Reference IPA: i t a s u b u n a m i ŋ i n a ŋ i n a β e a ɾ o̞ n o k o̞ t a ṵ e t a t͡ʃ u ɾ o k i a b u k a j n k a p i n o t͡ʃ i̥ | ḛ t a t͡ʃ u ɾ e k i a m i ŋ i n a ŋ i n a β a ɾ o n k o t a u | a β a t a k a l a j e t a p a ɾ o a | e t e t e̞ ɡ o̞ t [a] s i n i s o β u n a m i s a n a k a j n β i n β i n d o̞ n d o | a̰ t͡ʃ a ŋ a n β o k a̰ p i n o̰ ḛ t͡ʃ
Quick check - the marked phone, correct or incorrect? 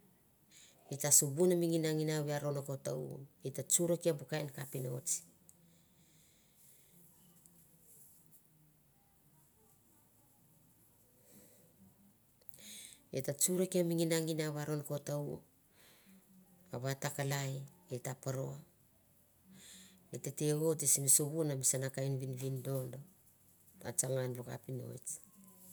incorrect